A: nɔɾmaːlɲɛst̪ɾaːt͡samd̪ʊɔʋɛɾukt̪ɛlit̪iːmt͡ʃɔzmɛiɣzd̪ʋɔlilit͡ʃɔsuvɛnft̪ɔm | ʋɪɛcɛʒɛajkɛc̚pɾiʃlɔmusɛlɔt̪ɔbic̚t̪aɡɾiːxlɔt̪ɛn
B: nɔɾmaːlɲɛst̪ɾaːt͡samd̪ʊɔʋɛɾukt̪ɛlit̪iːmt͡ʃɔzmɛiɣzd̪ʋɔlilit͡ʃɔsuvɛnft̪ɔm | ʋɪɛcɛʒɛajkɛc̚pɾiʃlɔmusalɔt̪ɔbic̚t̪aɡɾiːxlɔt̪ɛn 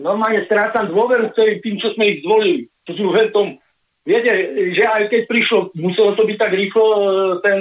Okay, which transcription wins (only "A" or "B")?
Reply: A